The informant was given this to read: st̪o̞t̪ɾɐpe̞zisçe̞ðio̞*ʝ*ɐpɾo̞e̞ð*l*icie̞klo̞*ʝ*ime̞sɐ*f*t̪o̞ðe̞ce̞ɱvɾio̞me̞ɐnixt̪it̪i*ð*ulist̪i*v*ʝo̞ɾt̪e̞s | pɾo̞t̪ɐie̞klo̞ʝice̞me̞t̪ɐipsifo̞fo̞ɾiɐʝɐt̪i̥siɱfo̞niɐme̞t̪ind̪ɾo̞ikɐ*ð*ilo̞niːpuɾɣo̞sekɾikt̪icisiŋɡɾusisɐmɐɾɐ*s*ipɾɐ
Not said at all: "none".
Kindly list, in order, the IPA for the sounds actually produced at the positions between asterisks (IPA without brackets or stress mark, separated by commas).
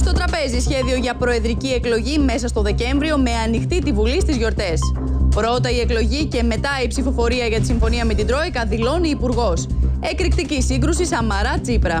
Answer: ʝ, ɾ, ʝ, s, v, z, ð, t͡s